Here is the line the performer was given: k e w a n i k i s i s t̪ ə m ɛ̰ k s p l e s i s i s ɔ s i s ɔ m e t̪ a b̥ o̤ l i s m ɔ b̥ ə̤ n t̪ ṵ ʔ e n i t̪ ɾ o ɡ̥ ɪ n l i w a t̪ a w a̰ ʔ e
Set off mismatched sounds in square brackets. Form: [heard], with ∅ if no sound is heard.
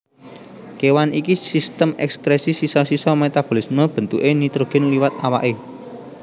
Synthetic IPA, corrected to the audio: k e w a n i k i s i s t̪ ə m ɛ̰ k s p [ɾ] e s i s i s ɔ s i s ɔ m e t̪ a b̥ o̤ l i s m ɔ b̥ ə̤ n t̪ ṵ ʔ e n i t̪ ɾ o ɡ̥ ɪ n l i w a t̪ a w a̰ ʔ e